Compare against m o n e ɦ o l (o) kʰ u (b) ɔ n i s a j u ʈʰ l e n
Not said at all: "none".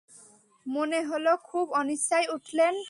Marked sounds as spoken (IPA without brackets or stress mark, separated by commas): o, b